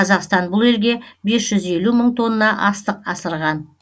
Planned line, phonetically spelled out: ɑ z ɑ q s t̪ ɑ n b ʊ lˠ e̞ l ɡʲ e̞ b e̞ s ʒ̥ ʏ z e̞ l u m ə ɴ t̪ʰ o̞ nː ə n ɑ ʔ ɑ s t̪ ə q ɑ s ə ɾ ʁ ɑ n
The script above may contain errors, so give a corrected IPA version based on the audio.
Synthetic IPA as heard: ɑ z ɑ q s t̪ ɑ n b ʊ lˠ e̞ l ɡʲ e̞ b e̞ s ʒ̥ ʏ z e̞ l u m ə ɴ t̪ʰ o̞ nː ə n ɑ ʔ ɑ s t̪ ə q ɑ s ə ɾ ʁ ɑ n